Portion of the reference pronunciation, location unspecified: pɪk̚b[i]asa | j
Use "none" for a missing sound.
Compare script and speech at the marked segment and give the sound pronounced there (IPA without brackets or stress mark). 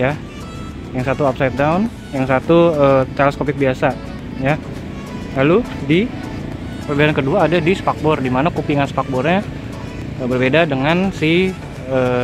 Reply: i